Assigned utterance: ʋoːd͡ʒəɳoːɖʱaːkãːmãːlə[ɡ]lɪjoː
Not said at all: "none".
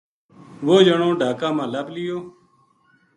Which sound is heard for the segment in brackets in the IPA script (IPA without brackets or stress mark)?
b